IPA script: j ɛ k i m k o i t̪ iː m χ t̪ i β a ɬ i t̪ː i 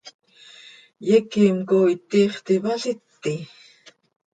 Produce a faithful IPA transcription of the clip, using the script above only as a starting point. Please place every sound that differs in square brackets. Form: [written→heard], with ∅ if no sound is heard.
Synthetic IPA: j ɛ k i m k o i t̪ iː [m→∅] χ t̪ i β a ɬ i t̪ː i